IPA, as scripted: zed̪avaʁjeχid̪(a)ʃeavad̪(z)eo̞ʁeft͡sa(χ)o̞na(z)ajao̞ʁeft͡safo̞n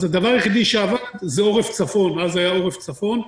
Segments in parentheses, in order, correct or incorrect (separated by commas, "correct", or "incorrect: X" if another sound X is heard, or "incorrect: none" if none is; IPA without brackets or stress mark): incorrect: i, correct, incorrect: f, correct